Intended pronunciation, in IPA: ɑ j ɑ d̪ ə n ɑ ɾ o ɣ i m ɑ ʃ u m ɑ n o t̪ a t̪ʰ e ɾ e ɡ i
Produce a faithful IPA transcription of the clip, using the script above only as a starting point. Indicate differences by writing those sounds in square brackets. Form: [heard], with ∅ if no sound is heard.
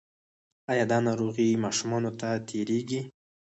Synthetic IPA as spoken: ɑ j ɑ d̪ [ɑ] n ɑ ɾ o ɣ i m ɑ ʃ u m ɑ n o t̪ a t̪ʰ e ɾ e ɡ i